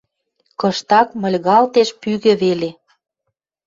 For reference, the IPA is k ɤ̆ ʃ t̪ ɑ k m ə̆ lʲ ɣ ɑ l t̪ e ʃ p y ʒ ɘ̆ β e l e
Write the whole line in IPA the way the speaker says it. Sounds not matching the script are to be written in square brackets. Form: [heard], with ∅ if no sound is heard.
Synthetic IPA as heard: k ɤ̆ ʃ t̪ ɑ k m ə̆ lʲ ɣ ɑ l t̪ e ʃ p y [ɣ] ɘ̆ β e l e